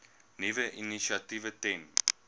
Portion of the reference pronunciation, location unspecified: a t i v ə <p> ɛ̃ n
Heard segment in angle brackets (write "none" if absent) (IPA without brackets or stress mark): t